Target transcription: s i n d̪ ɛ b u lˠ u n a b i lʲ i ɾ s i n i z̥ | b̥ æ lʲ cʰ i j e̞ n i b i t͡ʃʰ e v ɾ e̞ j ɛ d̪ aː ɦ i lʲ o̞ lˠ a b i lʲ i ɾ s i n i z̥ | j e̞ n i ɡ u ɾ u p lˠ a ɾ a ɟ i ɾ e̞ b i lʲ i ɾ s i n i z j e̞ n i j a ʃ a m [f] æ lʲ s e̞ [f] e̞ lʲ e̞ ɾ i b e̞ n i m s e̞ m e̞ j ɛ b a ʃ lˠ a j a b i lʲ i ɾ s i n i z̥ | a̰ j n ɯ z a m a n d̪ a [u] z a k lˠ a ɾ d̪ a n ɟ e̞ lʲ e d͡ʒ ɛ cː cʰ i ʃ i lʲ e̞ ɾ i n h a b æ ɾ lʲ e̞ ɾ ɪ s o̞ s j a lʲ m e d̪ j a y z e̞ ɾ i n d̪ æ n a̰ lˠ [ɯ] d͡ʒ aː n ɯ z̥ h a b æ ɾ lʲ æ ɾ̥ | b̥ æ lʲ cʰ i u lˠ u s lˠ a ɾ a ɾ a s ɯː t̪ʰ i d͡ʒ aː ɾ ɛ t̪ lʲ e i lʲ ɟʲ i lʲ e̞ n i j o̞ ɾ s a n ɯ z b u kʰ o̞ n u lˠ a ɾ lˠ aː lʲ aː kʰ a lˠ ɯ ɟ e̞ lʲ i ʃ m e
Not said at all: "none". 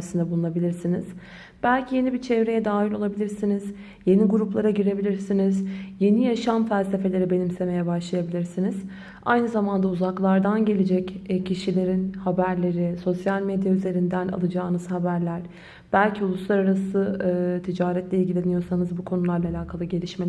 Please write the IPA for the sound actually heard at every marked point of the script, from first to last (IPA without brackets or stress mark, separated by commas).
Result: f, f, u, ɯ